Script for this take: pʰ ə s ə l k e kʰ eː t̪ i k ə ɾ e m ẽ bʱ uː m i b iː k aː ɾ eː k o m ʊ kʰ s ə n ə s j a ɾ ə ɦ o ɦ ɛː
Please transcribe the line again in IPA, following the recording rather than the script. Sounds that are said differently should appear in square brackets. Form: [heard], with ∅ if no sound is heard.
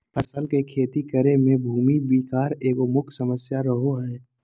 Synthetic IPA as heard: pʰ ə s ə l k e kʰ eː t̪ i k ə ɾ e m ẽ bʱ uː m i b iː k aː ɾ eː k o m ʊ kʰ s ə [m] ə s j a ɾ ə ɦ o ɦ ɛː